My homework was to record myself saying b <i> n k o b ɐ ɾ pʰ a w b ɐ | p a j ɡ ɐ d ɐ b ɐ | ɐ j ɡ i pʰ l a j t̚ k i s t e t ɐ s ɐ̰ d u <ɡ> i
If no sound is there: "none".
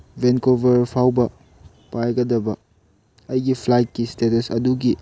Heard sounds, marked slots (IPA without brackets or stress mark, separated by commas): e, ɡ